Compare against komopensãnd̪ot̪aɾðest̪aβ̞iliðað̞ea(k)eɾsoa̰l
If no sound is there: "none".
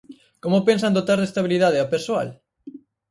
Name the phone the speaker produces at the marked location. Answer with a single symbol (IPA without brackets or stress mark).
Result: p